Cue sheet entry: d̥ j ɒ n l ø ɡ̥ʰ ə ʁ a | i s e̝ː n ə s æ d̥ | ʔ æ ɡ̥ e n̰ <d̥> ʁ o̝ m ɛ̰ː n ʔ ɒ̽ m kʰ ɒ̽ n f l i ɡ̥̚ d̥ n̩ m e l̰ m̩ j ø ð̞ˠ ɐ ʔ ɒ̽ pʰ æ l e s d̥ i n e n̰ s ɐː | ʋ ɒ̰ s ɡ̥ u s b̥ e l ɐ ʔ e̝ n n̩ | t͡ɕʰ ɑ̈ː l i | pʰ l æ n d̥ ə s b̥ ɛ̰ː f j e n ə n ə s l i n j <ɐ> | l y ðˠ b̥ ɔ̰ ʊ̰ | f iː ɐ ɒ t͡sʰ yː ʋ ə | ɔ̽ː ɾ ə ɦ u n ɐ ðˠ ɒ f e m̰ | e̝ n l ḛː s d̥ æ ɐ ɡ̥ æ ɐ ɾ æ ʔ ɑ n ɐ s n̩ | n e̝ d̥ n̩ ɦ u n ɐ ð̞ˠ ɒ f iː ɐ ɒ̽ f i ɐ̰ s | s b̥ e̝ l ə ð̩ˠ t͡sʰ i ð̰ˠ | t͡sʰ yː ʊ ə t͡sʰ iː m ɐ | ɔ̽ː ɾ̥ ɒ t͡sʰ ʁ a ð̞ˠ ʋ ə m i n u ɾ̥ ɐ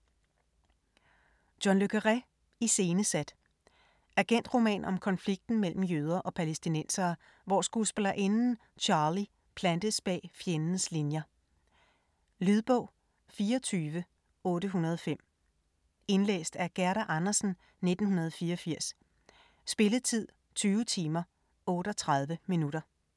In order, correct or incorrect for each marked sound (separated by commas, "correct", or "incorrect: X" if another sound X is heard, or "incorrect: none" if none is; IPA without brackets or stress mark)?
correct, correct